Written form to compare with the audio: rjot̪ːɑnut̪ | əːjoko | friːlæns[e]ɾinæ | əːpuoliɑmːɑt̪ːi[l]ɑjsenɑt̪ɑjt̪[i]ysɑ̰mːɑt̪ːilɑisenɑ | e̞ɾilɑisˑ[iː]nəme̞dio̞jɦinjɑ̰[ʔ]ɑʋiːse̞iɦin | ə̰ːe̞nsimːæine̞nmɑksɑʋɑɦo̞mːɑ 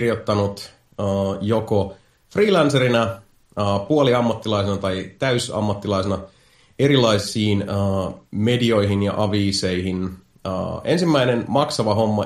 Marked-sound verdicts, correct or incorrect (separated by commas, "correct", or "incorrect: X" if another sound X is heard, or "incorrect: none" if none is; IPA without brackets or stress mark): correct, correct, incorrect: æ, correct, correct